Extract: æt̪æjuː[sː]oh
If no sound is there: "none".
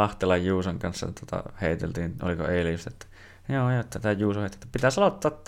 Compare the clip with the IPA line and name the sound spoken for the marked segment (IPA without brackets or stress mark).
s